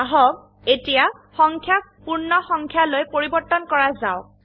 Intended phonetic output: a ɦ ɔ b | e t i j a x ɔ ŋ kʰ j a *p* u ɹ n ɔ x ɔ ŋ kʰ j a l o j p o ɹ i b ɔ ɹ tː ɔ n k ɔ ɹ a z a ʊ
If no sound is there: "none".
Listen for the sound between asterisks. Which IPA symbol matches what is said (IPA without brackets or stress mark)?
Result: p